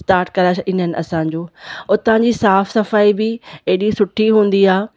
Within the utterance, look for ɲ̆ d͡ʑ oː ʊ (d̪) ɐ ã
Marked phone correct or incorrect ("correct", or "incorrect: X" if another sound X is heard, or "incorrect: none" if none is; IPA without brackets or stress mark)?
incorrect: t̪